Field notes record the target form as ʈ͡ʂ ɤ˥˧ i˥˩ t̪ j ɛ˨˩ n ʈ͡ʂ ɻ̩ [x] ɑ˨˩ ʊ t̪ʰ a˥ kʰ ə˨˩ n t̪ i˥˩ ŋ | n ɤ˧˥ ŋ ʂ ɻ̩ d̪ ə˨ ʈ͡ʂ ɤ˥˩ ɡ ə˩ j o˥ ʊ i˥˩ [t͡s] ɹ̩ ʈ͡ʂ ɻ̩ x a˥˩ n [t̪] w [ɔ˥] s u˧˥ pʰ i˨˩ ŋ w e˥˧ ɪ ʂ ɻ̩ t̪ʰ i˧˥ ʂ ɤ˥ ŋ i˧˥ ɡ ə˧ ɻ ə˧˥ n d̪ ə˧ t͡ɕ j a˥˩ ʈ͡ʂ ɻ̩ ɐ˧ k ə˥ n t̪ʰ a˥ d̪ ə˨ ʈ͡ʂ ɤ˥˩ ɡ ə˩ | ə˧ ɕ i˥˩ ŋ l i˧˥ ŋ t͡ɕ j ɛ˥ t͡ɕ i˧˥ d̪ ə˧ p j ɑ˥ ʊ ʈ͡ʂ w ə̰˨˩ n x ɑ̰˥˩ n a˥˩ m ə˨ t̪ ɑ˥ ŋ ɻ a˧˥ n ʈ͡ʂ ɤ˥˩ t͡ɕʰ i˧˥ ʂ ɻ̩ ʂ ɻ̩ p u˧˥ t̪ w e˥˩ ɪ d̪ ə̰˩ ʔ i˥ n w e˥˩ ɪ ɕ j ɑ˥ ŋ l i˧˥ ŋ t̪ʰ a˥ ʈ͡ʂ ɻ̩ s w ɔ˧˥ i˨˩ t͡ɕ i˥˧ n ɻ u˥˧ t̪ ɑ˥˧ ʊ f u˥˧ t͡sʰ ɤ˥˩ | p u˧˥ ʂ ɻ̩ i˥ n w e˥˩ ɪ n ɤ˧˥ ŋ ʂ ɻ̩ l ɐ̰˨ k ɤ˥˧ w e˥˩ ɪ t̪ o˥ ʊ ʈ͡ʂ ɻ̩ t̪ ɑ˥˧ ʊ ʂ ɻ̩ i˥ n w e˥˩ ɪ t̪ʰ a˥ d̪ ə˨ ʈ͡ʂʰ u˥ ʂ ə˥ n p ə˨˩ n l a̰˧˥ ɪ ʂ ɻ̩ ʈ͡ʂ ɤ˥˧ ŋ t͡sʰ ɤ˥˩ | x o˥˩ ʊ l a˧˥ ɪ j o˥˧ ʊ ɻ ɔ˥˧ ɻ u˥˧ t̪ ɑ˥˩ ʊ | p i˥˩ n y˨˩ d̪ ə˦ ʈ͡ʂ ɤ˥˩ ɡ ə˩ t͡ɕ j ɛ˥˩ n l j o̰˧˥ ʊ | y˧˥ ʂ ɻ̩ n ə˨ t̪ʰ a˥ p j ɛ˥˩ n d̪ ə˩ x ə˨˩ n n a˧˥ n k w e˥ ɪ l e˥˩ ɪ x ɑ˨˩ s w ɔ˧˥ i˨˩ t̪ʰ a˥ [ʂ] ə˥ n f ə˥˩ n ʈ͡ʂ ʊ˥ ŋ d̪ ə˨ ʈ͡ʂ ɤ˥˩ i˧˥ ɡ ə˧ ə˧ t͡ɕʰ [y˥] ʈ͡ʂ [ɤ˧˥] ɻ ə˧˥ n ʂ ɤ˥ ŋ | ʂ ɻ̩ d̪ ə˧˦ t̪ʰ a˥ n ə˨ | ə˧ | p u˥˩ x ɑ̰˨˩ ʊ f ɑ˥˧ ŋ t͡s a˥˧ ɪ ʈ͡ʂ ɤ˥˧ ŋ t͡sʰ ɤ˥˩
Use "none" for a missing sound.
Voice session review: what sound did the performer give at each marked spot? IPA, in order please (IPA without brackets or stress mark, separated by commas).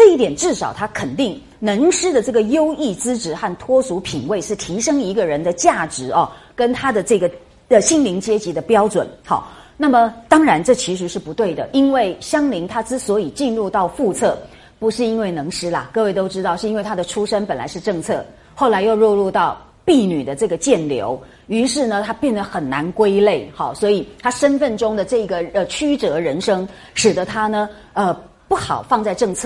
ʂ, t͡s, t̪ʰ, ɔ˥, ʂ, y˥, ɤ˧˥